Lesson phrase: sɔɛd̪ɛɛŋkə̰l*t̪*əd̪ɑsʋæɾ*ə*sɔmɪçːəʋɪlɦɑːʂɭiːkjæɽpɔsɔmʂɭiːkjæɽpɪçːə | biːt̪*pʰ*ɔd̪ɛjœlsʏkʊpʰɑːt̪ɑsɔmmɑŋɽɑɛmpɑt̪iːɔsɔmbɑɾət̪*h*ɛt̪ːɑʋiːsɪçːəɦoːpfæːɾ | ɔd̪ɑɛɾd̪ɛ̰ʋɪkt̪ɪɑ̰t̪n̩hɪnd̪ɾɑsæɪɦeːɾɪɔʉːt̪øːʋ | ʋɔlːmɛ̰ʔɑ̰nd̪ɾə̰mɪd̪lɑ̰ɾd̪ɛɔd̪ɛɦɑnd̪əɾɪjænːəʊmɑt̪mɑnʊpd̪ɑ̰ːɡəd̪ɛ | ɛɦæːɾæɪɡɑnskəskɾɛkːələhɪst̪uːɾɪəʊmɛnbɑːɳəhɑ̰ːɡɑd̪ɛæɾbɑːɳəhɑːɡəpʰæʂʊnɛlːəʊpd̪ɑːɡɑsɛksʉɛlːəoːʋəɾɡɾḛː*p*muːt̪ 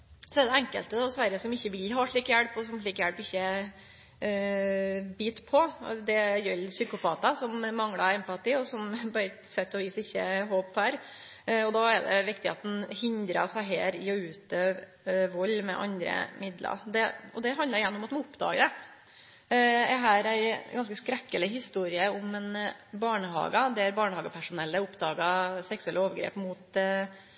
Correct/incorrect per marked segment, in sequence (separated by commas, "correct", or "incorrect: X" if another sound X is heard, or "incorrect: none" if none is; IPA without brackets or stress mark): correct, correct, correct, incorrect: s, correct